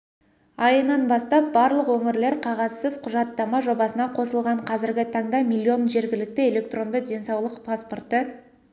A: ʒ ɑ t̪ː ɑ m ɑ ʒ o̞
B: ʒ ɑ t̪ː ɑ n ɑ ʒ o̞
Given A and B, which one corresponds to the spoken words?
A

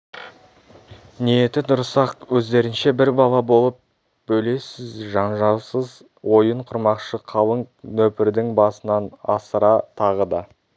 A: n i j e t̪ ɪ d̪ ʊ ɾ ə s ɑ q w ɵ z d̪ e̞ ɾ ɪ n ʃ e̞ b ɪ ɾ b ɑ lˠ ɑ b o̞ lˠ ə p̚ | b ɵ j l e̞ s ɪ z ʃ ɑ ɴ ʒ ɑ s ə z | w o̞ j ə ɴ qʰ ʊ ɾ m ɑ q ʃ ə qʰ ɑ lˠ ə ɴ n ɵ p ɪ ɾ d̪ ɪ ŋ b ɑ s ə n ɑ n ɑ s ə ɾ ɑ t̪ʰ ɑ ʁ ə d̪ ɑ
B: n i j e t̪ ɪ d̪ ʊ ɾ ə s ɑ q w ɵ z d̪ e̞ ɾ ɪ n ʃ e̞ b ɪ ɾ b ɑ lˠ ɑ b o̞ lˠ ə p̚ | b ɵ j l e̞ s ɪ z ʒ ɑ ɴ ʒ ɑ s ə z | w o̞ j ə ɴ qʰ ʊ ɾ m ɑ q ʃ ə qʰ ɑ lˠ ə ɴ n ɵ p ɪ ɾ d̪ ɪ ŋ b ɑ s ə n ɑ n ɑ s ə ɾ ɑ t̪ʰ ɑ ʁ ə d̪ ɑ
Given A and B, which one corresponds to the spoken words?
B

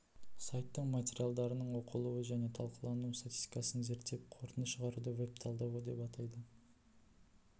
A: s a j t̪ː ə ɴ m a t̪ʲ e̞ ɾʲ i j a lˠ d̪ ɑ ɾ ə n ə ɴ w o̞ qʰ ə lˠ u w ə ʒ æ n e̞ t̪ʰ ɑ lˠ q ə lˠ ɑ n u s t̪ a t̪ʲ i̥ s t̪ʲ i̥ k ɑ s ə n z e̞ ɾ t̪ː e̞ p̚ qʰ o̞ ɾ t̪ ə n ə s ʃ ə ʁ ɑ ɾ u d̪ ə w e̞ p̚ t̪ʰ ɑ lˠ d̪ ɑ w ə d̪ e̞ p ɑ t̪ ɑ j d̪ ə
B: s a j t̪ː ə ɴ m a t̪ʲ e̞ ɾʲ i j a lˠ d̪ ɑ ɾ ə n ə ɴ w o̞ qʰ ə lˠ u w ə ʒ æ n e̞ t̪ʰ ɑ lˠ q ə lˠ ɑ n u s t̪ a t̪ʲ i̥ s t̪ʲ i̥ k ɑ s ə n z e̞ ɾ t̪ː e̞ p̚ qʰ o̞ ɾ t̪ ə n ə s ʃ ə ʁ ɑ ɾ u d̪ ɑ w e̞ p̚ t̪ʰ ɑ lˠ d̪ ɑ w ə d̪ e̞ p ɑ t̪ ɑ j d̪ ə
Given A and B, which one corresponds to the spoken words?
A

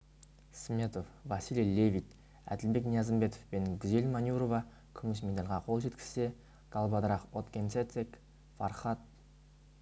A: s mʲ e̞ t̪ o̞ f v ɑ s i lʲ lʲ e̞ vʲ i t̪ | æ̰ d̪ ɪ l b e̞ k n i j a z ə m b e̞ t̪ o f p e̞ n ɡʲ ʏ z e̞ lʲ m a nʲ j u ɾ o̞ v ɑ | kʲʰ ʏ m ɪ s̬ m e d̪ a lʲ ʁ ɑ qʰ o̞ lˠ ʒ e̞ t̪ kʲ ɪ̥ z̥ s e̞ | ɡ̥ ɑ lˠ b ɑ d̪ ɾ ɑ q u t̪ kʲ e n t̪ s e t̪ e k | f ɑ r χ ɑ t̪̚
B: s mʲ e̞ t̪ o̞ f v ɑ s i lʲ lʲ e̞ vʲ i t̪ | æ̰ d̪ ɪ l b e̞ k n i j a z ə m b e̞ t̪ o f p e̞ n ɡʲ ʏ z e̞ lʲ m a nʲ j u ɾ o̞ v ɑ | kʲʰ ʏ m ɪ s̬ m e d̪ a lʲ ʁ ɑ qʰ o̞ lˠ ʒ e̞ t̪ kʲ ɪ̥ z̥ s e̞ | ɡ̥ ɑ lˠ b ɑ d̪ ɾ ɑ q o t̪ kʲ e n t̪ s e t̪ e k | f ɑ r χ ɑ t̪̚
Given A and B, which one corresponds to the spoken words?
B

